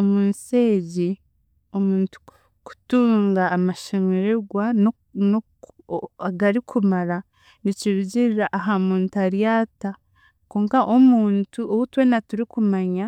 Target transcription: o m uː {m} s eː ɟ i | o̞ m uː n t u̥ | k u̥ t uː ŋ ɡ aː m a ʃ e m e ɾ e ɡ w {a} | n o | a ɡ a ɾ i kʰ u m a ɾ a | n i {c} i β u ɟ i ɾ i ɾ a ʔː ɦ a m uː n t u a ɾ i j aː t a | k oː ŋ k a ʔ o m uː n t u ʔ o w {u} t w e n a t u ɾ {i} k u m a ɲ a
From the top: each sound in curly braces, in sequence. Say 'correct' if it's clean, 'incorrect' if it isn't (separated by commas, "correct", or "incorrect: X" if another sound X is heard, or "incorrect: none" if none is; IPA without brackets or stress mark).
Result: incorrect: n, correct, correct, correct, correct